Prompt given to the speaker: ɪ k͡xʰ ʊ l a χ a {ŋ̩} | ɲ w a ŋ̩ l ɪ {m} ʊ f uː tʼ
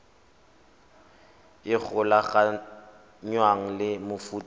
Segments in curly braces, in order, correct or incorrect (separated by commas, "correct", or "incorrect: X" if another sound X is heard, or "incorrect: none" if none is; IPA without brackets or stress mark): incorrect: none, correct